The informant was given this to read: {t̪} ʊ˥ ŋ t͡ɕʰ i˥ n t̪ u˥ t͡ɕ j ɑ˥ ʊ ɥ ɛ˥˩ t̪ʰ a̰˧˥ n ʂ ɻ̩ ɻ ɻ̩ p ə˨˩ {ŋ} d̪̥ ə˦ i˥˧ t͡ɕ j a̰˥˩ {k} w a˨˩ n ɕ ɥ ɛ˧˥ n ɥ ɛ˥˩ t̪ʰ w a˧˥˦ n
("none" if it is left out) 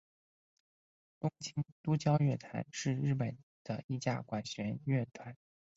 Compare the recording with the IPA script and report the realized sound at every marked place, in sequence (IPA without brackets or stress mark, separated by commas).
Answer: t̪, n, k